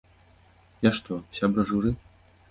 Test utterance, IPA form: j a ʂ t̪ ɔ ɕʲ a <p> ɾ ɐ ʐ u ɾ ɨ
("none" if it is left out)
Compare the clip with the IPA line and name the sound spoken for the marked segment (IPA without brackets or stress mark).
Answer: b